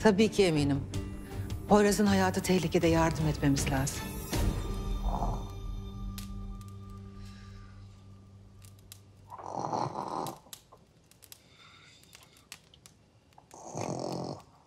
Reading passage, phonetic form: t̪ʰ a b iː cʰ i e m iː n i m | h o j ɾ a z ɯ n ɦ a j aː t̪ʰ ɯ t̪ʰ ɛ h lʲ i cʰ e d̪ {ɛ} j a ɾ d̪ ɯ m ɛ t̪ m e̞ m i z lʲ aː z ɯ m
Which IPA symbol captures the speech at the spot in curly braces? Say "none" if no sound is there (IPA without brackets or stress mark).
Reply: ɛ